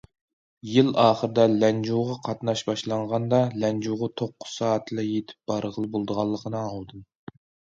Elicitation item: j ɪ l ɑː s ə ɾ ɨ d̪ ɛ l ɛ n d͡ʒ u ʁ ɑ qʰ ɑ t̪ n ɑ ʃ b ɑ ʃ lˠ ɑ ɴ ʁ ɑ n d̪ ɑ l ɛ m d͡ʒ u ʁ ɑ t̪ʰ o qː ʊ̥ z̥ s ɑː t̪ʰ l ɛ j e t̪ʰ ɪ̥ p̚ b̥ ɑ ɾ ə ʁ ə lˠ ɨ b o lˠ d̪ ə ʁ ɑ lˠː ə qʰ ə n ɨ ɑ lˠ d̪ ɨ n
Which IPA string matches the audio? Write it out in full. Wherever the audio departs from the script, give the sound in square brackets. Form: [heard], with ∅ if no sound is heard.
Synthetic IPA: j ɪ l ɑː [χ] ə ɾ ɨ d̪ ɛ l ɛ n d͡ʒ u ʁ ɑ qʰ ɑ t̪ n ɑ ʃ b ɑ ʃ lˠ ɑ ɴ ʁ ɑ n d̪ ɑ l ɛ [n] d͡ʒ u ʁ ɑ t̪ʰ o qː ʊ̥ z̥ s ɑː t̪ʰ l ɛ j e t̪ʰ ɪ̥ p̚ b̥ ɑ ɾ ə ʁ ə lˠ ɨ b o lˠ d̪ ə ʁ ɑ lˠː ə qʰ ə n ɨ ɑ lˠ d̪ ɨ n